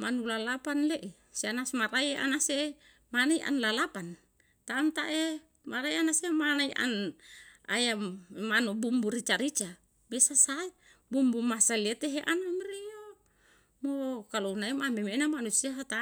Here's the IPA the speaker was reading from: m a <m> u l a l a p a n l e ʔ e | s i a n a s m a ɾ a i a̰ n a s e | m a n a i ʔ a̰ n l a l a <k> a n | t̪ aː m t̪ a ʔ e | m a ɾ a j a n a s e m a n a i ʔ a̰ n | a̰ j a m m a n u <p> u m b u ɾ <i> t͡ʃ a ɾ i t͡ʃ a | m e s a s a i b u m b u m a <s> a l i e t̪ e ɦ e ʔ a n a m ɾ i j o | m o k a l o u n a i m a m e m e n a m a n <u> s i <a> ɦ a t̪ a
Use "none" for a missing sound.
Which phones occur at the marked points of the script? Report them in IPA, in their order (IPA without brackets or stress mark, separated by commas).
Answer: n, p, b, i, s, u, a